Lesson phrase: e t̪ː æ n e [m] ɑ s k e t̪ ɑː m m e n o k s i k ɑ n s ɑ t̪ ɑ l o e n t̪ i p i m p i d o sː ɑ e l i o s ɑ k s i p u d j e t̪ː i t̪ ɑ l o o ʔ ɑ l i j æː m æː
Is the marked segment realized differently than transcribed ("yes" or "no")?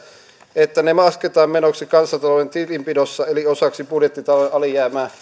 no